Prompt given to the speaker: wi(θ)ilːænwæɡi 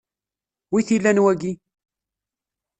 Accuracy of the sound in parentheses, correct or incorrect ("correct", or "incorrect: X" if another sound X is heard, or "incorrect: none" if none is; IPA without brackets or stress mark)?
correct